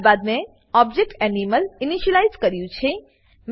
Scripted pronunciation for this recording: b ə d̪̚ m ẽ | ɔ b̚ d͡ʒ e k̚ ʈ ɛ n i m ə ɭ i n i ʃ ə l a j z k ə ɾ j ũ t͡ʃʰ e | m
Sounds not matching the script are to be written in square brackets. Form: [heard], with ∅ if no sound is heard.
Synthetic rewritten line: b [a] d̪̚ m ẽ | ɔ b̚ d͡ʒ e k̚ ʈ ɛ n i m ə [l] i n i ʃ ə l a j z k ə ɾ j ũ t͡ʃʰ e | m